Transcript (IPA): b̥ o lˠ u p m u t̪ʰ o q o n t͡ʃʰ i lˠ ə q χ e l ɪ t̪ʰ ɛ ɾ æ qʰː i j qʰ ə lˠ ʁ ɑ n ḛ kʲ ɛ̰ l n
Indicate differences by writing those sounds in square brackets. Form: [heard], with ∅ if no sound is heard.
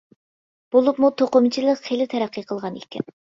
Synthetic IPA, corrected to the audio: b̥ o lˠ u p m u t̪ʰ o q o [m] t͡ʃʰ i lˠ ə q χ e l ɪ t̪ʰ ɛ ɾ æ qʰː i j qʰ ə lˠ ʁ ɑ n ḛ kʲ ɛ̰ [∅] n